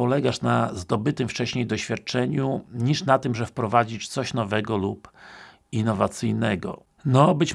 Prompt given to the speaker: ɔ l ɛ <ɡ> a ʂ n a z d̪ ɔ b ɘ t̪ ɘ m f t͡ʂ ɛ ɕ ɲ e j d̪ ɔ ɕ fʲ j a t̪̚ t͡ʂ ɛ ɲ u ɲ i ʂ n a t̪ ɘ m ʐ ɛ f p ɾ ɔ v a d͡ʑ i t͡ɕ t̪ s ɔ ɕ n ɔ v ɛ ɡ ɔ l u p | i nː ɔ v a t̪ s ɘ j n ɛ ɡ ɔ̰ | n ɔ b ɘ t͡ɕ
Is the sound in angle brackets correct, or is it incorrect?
correct